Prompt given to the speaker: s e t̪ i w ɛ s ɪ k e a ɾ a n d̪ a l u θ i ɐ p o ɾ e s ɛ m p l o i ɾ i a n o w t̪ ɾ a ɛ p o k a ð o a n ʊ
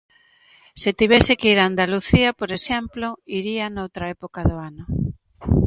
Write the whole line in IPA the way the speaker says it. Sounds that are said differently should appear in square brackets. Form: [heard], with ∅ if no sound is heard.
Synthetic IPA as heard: s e t̪ i [β] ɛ s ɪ k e [i] ɾ a n d̪ a l u θ i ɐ p o ɾ e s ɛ m p l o i ɾ i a n o w t̪ ɾ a ɛ p o k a ð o a n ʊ

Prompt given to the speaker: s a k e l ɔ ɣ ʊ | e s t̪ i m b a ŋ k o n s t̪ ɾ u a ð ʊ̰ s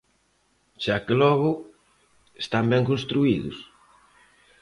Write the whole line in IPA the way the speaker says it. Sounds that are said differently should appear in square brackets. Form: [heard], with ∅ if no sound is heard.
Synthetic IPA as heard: [ʃ] a k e l ɔ ɣ ʊ | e s t̪ [a] m b [ɛ] ŋ k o n s t̪ ɾ u [i] ð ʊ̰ s

